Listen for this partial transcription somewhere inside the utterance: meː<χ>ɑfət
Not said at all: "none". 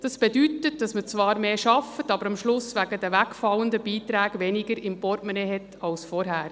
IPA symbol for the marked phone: ʃ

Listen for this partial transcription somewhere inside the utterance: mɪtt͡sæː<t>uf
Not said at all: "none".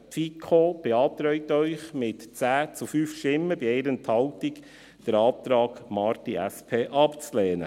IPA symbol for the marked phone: t͡s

